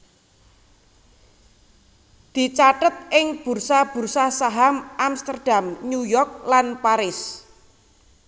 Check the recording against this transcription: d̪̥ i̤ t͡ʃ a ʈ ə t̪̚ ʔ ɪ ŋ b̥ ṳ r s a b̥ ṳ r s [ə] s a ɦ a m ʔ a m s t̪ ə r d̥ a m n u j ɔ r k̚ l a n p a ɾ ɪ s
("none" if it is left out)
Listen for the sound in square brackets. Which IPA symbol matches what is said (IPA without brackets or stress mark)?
a